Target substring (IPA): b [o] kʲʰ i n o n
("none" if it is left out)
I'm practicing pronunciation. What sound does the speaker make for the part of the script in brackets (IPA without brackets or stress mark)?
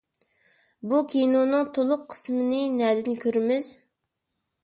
u